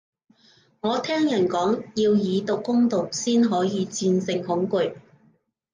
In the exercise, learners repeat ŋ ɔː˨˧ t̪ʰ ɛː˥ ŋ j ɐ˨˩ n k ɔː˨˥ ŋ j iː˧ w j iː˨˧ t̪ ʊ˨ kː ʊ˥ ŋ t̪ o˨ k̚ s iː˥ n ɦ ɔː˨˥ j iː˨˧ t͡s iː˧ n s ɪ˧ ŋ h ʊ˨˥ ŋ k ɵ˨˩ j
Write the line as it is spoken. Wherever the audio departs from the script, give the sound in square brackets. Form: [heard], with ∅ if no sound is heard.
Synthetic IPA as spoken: ŋ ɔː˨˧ t̪ʰ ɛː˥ ŋ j ɐ˨˩ n k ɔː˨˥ ŋ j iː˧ w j iː˨˧ t̪ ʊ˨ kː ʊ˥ ŋ t̪ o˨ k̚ s iː˥ n ɦ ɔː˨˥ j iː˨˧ t͡s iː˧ n s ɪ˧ ŋ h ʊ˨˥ ŋ k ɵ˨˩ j